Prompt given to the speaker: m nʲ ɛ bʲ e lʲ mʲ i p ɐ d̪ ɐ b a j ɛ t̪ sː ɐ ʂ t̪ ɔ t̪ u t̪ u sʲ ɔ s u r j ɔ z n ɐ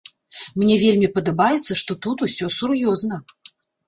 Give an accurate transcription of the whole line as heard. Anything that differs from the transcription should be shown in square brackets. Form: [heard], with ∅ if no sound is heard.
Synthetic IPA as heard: m nʲ ɛ [vʲ] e lʲ mʲ i p ɐ d̪ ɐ b a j ɛ t̪ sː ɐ ʂ t̪ ɔ t̪ u t̪ u sʲ ɔ s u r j ɔ z n ɐ

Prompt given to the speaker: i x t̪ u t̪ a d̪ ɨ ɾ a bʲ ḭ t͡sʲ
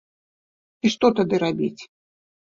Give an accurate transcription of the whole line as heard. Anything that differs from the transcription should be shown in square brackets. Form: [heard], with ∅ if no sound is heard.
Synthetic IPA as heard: i [ʂ] t̪ [ɔ] t̪ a d̪ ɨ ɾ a bʲ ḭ t͡sʲ

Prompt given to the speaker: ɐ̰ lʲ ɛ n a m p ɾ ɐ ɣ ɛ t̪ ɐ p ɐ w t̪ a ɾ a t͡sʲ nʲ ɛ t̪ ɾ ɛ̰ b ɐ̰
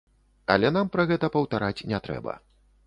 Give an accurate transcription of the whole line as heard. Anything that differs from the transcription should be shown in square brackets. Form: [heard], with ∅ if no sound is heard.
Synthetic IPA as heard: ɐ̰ lʲ ɛ n a m p ɾ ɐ ɣ ɛ t̪ ɐ p ɐ w t̪ a ɾ a t͡sʲ nʲ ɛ t̪ ɾ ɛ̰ b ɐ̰

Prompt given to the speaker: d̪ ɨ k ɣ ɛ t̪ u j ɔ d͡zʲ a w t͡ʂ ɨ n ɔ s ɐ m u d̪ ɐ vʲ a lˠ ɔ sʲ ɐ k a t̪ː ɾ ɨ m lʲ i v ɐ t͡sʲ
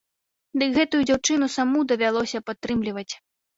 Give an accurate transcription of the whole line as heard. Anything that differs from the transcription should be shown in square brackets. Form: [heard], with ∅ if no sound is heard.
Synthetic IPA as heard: d̪ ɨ k ɣ ɛ t̪ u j [u] d͡zʲ a w t͡ʂ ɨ n [u] s [a] m u d̪ ɐ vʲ a lˠ ɔ sʲ ɐ [p] a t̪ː ɾ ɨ m lʲ i v ɐ t͡sʲ

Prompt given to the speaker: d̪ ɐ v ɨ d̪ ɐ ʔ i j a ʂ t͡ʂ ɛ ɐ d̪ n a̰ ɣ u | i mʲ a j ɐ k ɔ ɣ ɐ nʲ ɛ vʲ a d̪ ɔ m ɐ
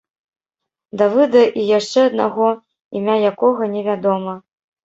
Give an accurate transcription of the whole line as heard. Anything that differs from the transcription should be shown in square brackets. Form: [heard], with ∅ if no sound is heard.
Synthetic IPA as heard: d̪ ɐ v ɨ d̪ ɐ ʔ i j a ʂ t͡ʂ ɛ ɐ d̪ n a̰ ɣ [ɔ] | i mʲ a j [a] k ɔ ɣ ɐ nʲ ɛ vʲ a d̪ ɔ m ɐ

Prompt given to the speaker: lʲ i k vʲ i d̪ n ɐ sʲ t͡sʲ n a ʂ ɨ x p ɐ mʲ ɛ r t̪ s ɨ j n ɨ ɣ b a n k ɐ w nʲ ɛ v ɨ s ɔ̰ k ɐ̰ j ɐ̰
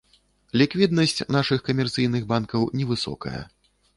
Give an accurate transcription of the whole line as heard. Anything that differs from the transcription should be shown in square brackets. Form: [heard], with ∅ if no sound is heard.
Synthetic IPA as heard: lʲ i k vʲ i d̪ n ɐ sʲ t͡sʲ n a ʂ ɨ x [k] ɐ mʲ ɛ r t̪ s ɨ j n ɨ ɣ b a n k ɐ w nʲ ɛ v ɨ s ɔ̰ k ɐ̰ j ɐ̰

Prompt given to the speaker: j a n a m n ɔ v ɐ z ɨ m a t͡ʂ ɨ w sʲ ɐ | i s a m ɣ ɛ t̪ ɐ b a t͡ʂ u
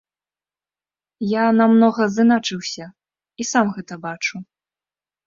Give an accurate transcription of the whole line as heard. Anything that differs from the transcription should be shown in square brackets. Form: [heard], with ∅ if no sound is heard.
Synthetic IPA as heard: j a n a m n ɔ [ɣ] ɐ z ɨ [n] a t͡ʂ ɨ w sʲ ɐ | i s a m ɣ ɛ t̪ ɐ b a t͡ʂ u

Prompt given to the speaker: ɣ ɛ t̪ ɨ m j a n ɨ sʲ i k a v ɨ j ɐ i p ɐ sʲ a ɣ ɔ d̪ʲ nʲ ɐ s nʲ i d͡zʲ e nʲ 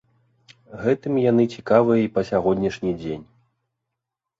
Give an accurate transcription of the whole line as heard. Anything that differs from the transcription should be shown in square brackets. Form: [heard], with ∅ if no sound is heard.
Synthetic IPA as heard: ɣ ɛ t̪ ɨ m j a n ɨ [t͡sʲ] i k a v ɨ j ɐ i p ɐ sʲ a ɣ ɔ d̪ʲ nʲ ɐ [ʂ] nʲ i d͡zʲ e nʲ

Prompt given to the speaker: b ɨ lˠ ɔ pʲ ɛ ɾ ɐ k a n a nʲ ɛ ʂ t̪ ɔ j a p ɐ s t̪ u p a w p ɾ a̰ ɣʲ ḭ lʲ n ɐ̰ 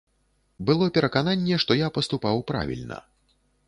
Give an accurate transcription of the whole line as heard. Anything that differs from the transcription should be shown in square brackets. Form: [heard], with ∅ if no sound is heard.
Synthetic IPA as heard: b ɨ lˠ ɔ pʲ ɛ ɾ ɐ k a n a [nʲː] ɛ ʂ t̪ ɔ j a p ɐ s t̪ u p a w p ɾ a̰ [vʲ] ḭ lʲ n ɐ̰

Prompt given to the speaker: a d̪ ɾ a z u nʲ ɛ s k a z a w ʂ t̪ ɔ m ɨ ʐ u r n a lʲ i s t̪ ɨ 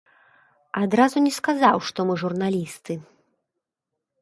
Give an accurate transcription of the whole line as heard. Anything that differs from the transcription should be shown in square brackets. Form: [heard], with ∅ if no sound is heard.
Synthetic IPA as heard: a d̪ ɾ a z u nʲ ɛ s k a z a w ʂ t̪ ɔ m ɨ ʐ u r n a lʲ i s t̪ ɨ

